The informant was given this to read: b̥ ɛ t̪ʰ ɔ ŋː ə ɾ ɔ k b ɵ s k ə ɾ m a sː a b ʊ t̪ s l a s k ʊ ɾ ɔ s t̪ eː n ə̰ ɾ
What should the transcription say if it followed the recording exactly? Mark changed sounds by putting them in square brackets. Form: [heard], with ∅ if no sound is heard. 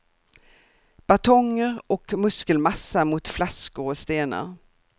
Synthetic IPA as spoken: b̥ [a] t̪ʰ ɔ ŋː ə ɾ ɔ k [m] ɵ s k ə [l] m a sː a [m] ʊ t̪ [f] l a s k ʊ ɾ ɔ s t̪ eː n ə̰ ɾ